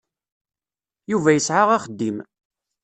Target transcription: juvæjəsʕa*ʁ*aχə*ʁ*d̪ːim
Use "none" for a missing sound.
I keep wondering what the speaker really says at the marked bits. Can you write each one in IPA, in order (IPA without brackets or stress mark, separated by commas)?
ʁ, none